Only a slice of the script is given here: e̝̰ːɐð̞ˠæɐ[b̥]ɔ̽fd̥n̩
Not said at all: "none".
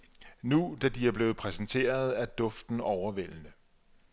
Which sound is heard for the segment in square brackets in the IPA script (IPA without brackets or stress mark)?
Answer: d̥